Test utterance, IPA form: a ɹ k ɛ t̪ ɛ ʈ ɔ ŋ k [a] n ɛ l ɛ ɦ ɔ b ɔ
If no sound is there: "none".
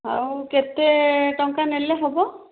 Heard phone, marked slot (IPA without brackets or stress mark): a